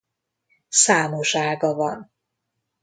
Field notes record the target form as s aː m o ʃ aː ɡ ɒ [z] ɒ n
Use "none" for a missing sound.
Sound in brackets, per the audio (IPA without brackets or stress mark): v